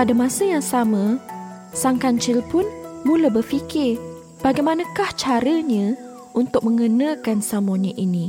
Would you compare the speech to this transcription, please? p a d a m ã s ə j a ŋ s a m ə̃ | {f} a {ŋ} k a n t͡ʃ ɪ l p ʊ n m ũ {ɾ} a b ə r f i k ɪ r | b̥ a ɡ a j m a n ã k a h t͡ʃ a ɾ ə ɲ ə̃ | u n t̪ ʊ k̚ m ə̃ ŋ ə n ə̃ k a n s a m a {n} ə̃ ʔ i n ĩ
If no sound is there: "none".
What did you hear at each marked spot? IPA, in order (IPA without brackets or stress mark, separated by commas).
s, ŋ, l, ɲ